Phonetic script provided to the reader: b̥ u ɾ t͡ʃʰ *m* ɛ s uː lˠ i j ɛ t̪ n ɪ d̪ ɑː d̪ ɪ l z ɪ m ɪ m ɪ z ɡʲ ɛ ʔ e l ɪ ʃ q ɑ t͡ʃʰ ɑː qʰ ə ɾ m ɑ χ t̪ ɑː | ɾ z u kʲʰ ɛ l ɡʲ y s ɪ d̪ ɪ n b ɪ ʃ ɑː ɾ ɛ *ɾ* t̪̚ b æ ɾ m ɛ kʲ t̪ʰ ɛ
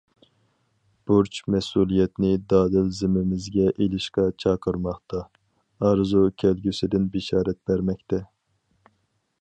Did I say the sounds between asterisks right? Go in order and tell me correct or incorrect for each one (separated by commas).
correct, incorrect